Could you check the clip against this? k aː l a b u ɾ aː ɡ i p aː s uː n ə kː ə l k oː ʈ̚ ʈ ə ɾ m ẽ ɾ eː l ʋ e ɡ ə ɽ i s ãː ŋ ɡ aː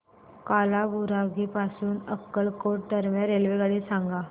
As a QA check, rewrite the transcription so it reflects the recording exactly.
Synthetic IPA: k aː l a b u ɾ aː ɡ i p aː s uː n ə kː ə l k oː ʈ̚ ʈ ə ɾ m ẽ ɾ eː l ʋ e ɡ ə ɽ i s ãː ŋ ɡ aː